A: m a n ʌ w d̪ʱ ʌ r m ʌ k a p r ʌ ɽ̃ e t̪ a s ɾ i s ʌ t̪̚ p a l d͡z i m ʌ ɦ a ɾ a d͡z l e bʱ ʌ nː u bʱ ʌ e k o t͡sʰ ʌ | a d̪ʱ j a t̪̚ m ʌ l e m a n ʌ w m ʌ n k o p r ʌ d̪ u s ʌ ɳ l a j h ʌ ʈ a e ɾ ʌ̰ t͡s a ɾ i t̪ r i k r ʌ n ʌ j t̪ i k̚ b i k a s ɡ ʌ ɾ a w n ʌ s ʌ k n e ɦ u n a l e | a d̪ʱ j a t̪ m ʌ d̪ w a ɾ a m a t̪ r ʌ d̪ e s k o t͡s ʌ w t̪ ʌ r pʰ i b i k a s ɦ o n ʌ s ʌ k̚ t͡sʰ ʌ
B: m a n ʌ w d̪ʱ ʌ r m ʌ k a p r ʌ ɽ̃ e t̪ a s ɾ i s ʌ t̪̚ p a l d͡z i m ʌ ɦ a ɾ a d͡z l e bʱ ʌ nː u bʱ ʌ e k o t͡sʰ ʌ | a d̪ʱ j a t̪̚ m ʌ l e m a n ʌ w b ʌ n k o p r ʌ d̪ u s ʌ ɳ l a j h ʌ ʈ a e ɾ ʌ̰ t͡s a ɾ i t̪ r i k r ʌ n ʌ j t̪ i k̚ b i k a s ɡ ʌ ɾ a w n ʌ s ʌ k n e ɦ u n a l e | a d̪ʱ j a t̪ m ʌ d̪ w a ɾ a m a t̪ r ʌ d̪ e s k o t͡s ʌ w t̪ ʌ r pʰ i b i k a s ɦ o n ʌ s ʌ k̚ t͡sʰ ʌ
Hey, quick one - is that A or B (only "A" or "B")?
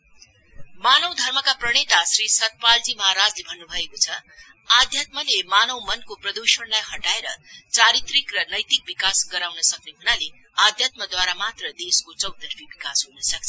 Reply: A